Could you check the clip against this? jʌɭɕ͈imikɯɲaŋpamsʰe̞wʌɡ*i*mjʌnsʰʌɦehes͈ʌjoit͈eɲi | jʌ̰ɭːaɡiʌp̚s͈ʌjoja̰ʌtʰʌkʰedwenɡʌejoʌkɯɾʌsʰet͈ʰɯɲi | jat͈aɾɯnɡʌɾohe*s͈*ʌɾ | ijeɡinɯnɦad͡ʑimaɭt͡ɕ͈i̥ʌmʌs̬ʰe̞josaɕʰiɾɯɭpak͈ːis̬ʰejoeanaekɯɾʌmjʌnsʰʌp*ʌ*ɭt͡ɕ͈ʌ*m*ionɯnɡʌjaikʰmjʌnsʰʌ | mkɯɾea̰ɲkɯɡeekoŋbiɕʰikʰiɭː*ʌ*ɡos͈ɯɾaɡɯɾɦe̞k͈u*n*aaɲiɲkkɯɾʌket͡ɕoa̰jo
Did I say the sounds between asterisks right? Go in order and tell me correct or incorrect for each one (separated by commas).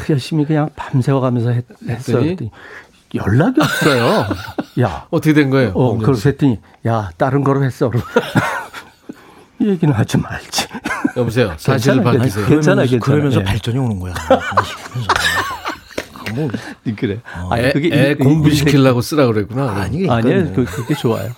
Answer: incorrect, correct, incorrect, incorrect, incorrect, correct